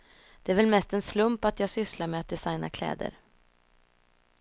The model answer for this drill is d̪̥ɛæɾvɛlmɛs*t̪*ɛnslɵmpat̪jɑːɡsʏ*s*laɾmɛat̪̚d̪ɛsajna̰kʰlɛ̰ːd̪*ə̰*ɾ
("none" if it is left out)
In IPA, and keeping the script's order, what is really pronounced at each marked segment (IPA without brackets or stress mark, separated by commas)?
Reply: t̪, s, ə̰